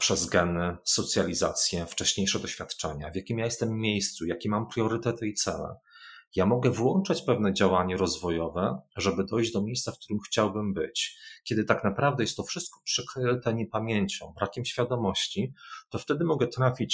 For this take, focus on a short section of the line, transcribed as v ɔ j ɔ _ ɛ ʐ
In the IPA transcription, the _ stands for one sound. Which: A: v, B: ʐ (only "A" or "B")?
A